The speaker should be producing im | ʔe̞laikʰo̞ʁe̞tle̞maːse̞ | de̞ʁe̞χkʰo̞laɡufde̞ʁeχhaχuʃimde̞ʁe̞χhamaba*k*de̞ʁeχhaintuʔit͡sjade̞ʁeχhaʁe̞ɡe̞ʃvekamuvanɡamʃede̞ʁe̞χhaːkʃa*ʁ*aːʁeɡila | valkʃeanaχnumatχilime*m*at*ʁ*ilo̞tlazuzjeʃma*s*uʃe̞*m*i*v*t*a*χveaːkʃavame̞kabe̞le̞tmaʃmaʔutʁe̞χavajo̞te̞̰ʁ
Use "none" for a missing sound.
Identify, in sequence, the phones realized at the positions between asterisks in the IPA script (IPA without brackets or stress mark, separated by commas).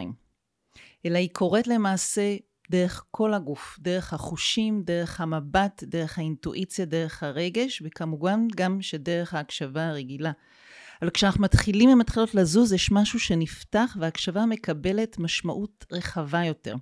t, v, m, χ, ʃ, n, f, a